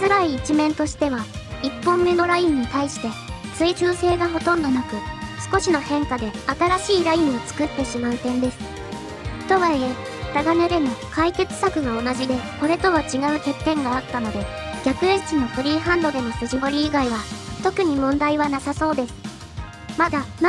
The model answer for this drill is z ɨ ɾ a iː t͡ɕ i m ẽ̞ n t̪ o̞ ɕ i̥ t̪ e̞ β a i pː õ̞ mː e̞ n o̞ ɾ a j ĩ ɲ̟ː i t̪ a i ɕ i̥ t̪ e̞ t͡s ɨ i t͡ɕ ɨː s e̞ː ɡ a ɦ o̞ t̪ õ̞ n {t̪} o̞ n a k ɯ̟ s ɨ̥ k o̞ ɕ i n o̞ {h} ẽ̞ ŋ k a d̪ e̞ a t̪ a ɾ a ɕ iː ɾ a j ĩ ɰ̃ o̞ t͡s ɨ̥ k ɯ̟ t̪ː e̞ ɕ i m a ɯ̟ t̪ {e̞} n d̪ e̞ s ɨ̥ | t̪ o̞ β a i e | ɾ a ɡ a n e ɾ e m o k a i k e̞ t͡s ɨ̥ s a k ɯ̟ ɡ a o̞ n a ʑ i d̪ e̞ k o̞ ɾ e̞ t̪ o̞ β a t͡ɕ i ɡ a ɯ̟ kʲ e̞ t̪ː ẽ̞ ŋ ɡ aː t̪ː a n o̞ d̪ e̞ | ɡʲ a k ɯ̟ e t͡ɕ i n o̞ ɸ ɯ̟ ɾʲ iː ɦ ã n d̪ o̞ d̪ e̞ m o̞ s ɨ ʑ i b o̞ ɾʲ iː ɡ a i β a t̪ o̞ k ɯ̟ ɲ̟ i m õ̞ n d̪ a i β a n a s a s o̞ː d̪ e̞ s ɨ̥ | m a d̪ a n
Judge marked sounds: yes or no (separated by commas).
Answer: no, yes, no